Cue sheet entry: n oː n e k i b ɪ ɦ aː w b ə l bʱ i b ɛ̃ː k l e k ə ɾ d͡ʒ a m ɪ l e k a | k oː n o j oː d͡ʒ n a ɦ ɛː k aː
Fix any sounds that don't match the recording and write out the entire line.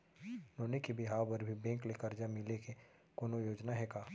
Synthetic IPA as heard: n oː n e k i b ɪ ɦ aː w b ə ɾ bʱ i b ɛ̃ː k l e k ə ɾ d͡ʒ a m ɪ l e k e | k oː n o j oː d͡ʒ n a ɦ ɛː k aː